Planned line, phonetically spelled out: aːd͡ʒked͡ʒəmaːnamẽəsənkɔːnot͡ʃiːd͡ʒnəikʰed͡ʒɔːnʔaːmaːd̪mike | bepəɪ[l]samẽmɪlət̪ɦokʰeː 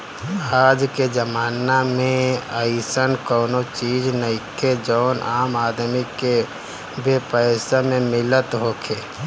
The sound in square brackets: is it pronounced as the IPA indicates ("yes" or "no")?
no